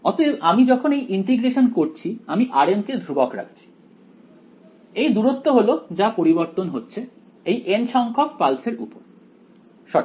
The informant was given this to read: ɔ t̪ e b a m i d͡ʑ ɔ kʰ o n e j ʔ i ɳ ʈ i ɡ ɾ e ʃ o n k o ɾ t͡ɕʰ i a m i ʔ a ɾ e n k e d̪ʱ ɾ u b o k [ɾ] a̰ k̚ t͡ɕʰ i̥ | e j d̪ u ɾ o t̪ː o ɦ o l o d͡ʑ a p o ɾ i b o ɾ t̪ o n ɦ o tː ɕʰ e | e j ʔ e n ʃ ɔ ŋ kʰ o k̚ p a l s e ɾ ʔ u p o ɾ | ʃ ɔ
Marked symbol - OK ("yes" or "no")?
yes